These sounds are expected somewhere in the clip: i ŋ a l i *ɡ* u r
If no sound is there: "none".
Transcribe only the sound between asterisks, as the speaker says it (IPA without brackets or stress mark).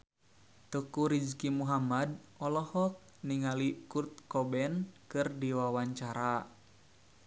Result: k